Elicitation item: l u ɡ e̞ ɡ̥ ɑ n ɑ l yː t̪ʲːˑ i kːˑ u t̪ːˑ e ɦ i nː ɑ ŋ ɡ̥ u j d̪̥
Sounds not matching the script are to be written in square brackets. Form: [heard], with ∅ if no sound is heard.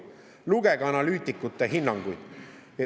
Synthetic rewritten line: l u ɡ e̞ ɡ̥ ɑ n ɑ l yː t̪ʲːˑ i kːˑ u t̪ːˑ e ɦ i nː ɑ ŋ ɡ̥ u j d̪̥